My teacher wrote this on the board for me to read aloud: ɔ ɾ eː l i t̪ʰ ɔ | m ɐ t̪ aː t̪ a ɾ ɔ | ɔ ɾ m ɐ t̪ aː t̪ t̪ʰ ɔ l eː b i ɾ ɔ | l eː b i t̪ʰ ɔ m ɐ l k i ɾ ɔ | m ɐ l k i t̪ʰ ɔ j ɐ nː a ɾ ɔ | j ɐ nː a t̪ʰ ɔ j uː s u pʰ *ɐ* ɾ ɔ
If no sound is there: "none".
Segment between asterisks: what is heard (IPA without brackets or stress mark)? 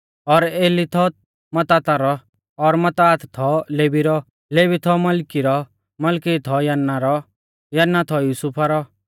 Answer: a